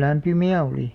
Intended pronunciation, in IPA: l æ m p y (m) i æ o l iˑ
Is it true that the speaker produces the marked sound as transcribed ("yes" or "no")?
yes